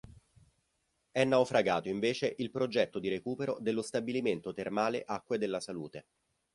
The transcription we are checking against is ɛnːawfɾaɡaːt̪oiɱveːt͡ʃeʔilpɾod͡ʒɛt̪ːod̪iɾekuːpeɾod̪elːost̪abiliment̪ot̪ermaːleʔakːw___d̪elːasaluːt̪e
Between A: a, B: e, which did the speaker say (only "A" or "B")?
B